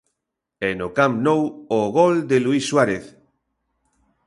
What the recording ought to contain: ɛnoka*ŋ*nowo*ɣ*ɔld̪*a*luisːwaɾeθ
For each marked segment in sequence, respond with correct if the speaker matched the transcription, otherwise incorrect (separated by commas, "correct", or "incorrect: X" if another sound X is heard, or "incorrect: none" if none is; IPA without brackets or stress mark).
incorrect: m, correct, incorrect: e